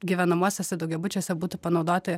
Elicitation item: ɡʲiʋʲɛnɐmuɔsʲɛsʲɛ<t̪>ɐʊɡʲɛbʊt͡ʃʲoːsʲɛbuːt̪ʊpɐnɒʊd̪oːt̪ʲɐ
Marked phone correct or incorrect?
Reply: incorrect